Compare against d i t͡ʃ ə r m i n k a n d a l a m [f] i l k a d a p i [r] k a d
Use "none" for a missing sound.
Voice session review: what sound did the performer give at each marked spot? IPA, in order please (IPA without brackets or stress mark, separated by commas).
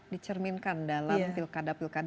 f, l